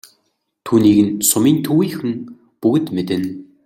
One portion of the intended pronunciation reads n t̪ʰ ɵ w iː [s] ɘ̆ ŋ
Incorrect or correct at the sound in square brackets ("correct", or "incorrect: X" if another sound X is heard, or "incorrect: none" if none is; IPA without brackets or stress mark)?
incorrect: x